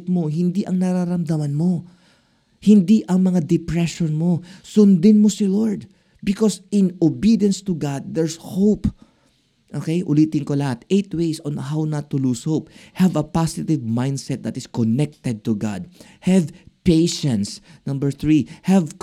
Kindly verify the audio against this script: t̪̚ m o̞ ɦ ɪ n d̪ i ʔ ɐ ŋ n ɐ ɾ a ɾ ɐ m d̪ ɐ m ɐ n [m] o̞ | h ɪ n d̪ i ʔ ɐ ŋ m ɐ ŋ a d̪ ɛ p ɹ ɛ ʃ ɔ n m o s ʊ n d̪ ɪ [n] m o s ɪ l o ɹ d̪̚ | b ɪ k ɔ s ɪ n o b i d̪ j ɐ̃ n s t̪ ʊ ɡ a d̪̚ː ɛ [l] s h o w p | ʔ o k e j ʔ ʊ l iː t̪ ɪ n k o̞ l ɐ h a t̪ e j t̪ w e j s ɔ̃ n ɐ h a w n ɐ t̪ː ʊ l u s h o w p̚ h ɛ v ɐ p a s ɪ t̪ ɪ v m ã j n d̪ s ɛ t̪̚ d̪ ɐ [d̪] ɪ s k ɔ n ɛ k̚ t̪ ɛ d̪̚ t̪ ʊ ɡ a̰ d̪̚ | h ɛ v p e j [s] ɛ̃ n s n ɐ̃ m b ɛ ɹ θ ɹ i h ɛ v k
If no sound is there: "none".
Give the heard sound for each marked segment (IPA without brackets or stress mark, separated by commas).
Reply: m, n, ɹ, t̪, ʃ